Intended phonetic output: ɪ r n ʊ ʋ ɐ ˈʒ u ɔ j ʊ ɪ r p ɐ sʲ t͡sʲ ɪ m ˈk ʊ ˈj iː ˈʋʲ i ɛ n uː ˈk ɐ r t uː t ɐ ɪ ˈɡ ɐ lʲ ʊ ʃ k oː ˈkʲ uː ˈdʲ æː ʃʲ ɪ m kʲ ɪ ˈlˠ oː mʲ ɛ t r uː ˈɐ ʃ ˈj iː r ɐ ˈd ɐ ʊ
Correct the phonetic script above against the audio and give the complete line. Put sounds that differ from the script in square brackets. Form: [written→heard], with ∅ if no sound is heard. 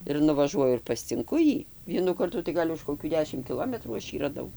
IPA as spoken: ɪ r n ʊ ʋ ɐ ˈʒ u ɔ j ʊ ɪ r p ɐ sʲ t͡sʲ ɪ [m→ŋ] ˈk ʊ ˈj iː ˈʋʲ i ɛ n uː ˈk ɐ r t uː t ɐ ɪ ˈɡ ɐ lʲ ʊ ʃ k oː ˈkʲ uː ˈdʲ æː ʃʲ ɪ m kʲ ɪ ˈlˠ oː mʲ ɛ t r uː ˈɐ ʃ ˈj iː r ɐ ˈd ɐ ʊ